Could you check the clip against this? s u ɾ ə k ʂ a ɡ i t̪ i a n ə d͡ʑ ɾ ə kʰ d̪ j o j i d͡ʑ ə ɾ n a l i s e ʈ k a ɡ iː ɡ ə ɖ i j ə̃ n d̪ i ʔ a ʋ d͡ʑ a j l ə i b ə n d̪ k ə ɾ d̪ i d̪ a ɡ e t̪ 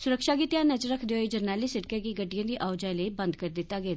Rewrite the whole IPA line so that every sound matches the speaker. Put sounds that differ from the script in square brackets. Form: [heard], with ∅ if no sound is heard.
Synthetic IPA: s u ɾ ə k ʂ a ɡ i t̪ [j] a n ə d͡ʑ ɾ ə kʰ d̪ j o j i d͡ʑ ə ɾ n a l i s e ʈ k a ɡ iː ɡ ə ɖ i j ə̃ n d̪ i ʔ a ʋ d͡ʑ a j l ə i b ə n d̪ k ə ɾ d̪ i [t̪] a ɡ e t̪